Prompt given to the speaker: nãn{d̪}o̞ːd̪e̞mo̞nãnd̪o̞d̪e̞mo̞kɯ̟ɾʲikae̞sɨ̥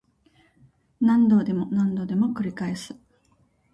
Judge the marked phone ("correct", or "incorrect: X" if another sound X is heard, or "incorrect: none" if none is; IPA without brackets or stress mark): correct